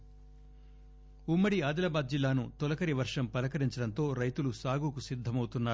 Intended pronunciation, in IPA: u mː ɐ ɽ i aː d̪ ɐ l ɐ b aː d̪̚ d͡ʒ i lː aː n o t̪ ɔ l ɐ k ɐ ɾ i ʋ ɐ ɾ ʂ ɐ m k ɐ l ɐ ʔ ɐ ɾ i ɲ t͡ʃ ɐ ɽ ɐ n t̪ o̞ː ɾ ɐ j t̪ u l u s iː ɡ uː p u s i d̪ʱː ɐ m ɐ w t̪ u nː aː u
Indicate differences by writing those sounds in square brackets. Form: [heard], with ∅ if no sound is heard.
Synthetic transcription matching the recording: u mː ɐ ɽ i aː d̪ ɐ l ɐ b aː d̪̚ d͡ʒ i lː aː n [u] t̪ ɔ l ɐ k ɐ ɾ i ʋ ɐ ɾ ʂ ɐ m [p] ɐ l ɐ [k] ɐ ɾ i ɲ t͡ʃ ɐ ɽ ɐ n t̪ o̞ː ɾ ɐ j t̪ u l u s [aː] ɡ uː [k] u s i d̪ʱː ɐ m ɐ w t̪ u nː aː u